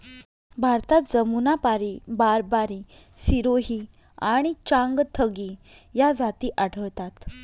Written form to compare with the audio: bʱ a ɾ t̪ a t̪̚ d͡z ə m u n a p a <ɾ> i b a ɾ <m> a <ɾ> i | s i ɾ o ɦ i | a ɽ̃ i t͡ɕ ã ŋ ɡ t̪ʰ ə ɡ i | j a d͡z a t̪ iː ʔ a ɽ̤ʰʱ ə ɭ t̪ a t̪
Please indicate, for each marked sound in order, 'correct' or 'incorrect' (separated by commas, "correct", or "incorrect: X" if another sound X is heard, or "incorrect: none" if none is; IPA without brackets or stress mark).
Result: correct, incorrect: b, correct